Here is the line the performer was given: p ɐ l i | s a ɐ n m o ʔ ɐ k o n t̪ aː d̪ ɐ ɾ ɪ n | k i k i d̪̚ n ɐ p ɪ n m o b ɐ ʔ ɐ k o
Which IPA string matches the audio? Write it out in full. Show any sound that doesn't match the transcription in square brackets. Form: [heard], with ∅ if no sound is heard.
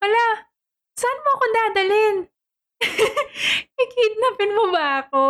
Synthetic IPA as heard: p ɐ l [a] | s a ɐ n m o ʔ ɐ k o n [d̪] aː d̪ ɐ [l] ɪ n | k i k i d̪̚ n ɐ p ɪ n m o b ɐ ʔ ɐ k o